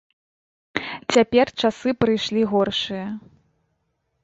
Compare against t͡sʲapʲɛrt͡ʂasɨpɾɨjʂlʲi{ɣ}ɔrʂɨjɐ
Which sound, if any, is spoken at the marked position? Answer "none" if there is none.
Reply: ɣ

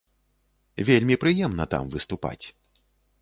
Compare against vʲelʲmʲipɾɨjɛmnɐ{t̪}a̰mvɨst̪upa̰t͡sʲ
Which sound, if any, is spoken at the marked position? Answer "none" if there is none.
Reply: t̪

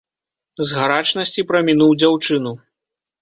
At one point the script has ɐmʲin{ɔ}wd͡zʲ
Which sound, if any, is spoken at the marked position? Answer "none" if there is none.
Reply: u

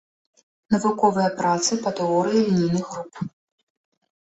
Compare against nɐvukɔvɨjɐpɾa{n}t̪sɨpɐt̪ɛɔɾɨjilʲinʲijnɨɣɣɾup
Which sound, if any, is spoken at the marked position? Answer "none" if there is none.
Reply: none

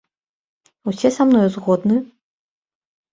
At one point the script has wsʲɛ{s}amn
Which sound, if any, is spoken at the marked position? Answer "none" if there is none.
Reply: s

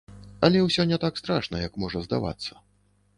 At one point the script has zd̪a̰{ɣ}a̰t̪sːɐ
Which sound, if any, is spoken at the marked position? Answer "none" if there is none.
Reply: v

